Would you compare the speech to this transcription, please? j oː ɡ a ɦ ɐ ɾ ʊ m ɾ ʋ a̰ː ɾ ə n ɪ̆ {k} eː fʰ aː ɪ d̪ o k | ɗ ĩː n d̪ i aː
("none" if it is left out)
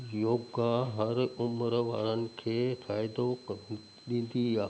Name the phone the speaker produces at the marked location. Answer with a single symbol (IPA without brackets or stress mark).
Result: kʰ